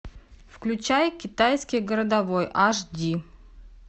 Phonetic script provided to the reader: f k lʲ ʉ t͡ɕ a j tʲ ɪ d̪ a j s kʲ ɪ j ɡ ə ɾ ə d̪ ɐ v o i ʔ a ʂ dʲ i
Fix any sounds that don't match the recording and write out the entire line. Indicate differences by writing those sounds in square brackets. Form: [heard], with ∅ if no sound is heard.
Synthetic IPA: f k lʲ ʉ t͡ɕ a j [kʲ] ɪ [t̪] a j s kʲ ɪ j ɡ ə ɾ ə d̪ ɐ v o [j] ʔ a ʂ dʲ i